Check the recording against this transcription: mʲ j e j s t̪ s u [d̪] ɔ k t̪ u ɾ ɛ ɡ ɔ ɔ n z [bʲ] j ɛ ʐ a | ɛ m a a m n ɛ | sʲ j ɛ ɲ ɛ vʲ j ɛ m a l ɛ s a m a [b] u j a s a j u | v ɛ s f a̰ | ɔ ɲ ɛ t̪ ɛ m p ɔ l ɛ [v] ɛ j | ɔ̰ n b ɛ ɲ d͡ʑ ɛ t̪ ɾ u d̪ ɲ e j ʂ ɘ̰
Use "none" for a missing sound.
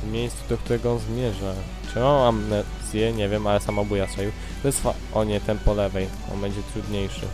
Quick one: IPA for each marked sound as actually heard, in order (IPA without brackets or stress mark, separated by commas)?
d̪, mʲ, b, v